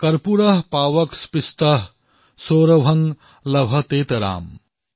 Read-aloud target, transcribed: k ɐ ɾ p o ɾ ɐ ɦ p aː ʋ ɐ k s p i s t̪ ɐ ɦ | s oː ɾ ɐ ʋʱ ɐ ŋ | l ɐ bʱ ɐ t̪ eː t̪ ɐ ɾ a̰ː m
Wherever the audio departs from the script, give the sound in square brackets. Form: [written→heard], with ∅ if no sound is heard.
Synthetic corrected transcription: k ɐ ɾ p [o→u] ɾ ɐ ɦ p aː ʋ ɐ k s p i s t̪ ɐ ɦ | s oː ɾ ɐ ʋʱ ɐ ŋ | l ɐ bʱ ɐ t̪ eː t̪ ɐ ɾ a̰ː m